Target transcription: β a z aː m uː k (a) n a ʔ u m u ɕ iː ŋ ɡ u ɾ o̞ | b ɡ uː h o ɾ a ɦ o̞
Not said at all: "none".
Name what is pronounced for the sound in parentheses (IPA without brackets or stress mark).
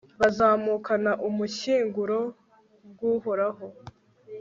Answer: a